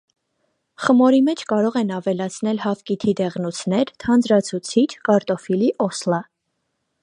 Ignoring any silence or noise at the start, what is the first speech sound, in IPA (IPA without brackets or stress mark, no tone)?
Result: χ